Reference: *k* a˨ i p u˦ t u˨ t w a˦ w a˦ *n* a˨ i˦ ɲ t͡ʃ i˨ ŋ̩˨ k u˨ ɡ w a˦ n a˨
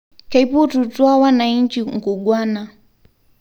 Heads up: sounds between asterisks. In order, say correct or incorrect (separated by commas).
correct, correct